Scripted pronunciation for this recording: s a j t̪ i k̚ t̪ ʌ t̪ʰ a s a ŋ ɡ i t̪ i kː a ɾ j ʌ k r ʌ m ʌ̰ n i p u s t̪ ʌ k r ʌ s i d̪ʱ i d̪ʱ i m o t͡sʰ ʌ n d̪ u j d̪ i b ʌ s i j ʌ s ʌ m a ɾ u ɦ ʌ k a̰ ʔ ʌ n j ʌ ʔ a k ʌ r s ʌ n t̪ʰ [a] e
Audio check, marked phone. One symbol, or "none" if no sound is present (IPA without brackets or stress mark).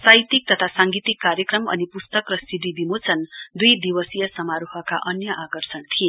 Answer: i